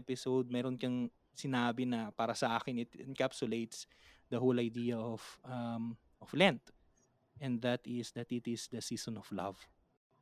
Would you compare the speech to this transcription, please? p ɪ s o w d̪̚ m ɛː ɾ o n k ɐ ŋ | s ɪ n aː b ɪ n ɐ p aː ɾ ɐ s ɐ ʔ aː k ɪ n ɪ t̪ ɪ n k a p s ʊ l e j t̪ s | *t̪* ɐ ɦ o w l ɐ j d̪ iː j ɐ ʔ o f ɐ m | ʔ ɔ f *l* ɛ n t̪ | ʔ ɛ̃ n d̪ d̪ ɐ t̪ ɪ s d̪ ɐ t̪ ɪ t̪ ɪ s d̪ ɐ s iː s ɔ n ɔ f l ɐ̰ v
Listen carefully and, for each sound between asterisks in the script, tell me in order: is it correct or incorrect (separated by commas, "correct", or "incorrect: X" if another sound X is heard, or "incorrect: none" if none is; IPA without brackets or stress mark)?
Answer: incorrect: d̪, correct